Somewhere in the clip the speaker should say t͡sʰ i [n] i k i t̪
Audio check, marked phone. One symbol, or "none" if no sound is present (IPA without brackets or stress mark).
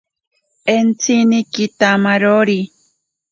n